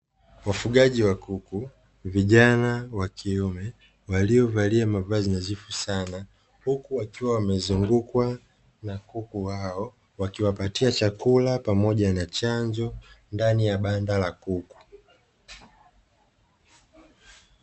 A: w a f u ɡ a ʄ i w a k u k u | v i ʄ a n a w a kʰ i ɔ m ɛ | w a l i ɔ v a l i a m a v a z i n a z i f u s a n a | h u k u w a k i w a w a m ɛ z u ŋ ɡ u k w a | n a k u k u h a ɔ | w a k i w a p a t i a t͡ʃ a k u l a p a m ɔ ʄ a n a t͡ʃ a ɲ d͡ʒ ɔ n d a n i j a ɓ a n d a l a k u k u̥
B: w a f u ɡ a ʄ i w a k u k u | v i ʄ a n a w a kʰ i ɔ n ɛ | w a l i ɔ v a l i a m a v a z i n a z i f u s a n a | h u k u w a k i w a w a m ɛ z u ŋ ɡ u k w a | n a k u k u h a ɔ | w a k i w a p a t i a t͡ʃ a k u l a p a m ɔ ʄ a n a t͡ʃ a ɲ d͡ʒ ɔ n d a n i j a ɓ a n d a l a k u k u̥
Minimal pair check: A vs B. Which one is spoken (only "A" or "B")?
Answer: A